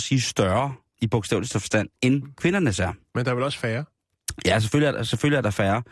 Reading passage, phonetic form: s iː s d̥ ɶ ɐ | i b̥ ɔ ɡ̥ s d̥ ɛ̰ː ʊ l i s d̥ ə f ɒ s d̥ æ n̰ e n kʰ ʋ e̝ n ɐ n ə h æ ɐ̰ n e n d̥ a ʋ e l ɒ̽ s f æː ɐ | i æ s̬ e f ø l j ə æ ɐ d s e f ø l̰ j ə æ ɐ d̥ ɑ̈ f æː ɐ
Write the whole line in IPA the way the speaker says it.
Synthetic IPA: s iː s d̥ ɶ ɐ | i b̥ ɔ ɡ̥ s d̥ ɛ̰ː ʊ l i s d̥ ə f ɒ s d̥ æ n̰ e n kʰ ʋ e̝ n ɐ n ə s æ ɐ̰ m e n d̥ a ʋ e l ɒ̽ s f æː ɐ | j æ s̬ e f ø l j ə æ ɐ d s e f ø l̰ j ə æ ɐ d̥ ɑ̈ f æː ɐ